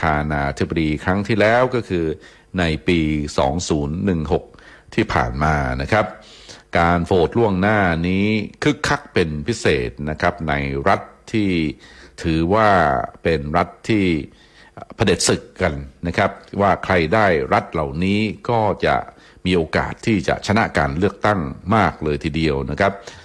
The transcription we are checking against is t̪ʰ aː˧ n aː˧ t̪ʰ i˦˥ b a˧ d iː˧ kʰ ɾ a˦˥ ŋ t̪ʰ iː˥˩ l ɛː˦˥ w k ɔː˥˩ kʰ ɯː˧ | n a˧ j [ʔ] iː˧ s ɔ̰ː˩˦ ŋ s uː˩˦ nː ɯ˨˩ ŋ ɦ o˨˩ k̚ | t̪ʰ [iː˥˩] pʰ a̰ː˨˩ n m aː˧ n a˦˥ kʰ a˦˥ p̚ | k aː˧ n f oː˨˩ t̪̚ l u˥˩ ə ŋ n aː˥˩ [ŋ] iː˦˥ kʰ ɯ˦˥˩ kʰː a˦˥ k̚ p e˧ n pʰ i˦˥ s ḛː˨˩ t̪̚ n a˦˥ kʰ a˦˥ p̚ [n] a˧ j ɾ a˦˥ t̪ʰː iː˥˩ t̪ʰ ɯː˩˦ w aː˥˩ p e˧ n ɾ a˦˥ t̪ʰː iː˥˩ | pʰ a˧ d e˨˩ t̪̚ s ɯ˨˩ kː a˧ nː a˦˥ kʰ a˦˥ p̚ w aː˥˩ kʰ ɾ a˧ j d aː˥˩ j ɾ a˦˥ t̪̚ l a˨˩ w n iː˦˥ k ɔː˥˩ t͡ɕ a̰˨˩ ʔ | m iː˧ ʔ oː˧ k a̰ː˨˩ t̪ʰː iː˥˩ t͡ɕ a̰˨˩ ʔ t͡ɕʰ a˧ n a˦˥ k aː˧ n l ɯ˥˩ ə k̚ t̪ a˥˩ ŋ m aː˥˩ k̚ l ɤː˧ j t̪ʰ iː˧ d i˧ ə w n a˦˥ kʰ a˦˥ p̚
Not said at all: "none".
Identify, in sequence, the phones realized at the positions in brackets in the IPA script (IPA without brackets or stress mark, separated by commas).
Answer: p, iː˥˩, n, n